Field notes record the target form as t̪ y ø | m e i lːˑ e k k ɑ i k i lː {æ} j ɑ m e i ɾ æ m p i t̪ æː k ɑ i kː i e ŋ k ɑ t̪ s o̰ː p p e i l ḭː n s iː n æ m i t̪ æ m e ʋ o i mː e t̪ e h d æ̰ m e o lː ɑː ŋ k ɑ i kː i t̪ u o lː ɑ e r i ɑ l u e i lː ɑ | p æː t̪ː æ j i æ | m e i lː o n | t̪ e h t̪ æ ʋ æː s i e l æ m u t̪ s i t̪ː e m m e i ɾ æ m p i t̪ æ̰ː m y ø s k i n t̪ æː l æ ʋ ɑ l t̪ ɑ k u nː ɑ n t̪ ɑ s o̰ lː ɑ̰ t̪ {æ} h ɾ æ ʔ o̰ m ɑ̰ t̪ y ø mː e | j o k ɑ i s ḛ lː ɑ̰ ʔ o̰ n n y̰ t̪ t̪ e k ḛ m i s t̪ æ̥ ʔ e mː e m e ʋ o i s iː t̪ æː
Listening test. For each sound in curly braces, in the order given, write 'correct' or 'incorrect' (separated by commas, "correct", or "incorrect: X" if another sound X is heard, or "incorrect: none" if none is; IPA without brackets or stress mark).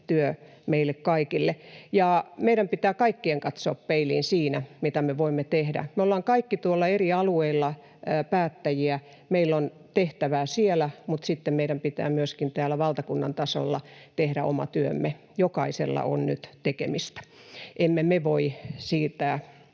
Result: incorrect: e, incorrect: e